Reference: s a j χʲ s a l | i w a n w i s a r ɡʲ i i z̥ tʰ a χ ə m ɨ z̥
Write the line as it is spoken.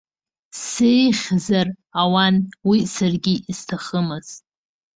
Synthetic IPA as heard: s e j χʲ z a r | a w a n w i s a r ɡʲ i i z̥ tʰ a χ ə m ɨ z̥

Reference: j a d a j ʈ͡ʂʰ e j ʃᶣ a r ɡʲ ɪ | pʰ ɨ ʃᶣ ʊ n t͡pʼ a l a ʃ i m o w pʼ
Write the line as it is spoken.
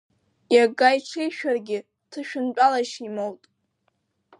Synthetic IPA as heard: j a ɡ a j ʈ͡ʂʰ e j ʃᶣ a r ɡʲ ɪ | tʰ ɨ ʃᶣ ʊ n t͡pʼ a l a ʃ i m o w tʼ

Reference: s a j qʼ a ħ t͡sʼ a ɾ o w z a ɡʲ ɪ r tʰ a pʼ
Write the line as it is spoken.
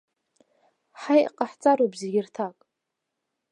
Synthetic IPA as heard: ħ a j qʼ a ħ t͡sʼ a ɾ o b z e ɡʲ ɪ r tʰ a kʼ

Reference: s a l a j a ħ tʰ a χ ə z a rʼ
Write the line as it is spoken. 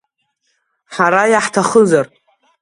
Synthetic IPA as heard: ħ a ɾ a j a ħ tʰ a χ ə z a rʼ

